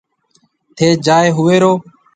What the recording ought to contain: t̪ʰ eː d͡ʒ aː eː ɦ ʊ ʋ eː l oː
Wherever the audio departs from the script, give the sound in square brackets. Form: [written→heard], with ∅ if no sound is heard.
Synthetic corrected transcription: t̪ʰ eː d͡ʒ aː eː ɦ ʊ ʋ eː [l→ɾ] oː